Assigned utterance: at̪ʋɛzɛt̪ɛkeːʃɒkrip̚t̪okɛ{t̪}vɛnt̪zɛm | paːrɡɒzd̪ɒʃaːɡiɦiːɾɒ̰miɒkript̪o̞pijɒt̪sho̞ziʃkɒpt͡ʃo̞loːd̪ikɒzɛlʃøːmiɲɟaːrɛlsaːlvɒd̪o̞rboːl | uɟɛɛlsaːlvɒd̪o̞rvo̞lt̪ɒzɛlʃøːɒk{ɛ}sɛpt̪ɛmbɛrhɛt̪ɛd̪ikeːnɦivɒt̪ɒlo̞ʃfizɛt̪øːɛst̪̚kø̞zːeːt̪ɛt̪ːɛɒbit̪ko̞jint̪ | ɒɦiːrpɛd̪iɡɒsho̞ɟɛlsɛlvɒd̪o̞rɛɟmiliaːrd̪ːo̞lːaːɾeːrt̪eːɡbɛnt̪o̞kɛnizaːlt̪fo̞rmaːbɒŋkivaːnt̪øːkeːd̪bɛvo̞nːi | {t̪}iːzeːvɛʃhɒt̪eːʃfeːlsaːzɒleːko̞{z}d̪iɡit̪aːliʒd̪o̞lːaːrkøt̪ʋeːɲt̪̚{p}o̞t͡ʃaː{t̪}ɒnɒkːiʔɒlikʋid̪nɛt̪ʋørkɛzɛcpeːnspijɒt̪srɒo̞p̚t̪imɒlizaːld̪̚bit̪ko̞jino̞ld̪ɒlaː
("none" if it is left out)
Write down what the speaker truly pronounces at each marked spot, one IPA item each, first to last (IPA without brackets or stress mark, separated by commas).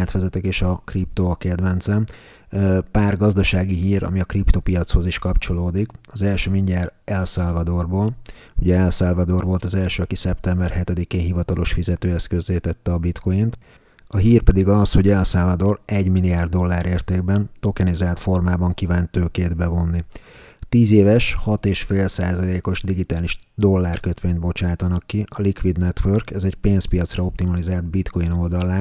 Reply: d̪, i, t̪, ʒ, b, t̪